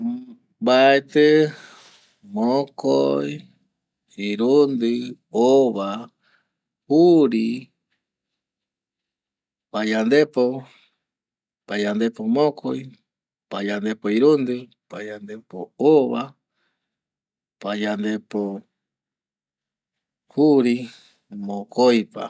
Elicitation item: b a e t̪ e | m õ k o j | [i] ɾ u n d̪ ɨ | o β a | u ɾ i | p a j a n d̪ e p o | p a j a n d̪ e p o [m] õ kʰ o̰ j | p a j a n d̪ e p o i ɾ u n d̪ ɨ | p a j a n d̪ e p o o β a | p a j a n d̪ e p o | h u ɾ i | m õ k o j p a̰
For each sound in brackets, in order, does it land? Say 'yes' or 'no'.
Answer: yes, yes

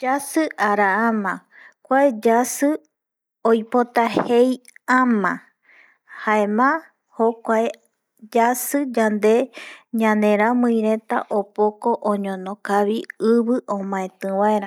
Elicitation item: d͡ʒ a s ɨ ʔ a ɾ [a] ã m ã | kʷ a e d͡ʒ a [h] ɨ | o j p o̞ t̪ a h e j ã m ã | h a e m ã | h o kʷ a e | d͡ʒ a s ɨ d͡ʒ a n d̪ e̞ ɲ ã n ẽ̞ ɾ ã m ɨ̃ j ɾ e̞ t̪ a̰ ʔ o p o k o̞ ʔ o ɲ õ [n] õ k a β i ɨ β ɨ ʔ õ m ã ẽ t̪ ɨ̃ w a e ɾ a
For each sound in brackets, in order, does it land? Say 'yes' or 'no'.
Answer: yes, no, yes

